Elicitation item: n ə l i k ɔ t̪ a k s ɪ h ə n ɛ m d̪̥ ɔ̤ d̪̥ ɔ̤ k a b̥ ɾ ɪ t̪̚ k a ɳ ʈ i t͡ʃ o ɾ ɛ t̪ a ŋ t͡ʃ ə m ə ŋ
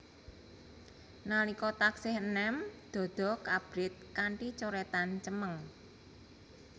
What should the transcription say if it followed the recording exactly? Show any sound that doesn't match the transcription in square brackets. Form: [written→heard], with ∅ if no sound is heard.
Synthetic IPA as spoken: n [ə→a] l i k ɔ t̪ a k s ɪ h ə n ɛ m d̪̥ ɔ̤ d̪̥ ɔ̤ k a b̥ ɾ ɪ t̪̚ k a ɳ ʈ i t͡ʃ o ɾ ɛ t̪ a [ŋ→n] t͡ʃ ə m ə ŋ

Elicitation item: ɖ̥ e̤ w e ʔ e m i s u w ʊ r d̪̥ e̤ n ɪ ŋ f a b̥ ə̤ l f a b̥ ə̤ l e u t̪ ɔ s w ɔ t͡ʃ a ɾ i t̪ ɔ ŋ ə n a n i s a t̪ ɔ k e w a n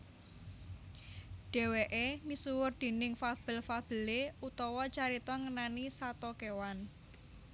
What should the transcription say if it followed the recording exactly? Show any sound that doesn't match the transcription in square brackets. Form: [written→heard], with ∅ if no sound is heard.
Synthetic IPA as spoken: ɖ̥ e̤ w e ʔ e m i s u w ʊ r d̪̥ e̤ n ɪ ŋ f a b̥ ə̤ l f a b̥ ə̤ l e u t̪ ɔ [s→∅] w ɔ t͡ʃ a ɾ i t̪ ɔ ŋ ə n a n i s a t̪ ɔ k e w a n

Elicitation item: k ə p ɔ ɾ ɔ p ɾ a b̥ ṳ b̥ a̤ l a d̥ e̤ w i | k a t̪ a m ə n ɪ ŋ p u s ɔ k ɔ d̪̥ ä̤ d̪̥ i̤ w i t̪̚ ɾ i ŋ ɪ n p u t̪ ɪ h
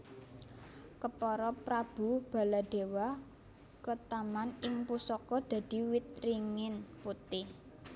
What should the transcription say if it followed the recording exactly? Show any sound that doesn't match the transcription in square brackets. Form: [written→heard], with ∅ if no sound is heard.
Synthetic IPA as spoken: k ə p ɔ ɾ ɔ p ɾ a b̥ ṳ b̥ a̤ l a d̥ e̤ w [i→a] | k [a→ə] t̪ a m [ə→a] n ɪ ŋ p u s ɔ k ɔ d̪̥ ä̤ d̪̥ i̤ w i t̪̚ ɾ i ŋ ɪ n p u t̪ ɪ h

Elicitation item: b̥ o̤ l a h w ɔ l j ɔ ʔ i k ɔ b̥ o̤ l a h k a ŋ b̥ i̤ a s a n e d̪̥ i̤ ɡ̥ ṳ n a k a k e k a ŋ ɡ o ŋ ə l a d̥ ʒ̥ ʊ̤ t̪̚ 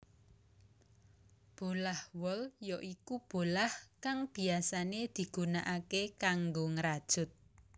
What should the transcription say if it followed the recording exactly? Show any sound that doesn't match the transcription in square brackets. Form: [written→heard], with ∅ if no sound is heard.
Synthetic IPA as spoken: b̥ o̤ l a h w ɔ l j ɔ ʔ i k [ɔ→u] b̥ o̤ l a h k a ŋ b̥ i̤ a s a n e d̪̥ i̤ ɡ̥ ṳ n a [k→ʔ] a k e k a ŋ ɡ o ŋ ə [l→ɾ] a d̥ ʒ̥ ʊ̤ t̪̚

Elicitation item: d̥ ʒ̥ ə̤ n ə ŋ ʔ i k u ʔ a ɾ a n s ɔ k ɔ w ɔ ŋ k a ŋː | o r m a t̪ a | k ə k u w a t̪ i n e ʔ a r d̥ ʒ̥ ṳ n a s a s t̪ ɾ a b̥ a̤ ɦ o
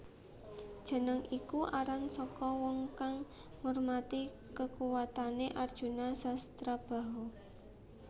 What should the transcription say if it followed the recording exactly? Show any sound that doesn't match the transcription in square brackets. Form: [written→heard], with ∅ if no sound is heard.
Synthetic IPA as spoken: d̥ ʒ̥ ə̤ n ə ŋ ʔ i k u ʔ a ɾ a n s ɔ k ɔ w ɔ ŋ k a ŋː | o r m a t̪ [a→i] | k ə k u w a t̪ [i→a] n e ʔ a r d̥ ʒ̥ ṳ n a s a s t̪ ɾ a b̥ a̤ ɦ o

